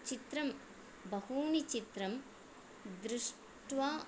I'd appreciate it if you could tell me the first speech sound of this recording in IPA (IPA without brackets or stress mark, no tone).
t͡ʃ